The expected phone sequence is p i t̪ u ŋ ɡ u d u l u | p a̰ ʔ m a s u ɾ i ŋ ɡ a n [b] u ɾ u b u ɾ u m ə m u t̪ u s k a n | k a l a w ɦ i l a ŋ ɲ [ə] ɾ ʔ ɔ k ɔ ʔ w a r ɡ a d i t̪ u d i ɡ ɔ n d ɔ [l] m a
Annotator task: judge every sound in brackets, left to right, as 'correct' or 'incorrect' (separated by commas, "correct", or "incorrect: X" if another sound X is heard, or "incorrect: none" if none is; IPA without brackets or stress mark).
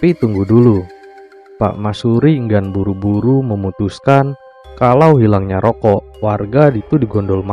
correct, incorrect: a, correct